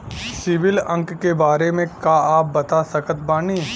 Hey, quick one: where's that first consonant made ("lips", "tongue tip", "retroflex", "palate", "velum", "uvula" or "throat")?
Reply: tongue tip